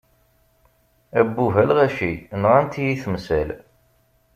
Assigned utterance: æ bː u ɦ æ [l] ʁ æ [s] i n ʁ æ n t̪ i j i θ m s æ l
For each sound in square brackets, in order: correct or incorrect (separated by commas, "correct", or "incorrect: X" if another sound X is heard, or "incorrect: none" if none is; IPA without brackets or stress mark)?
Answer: correct, incorrect: ʃ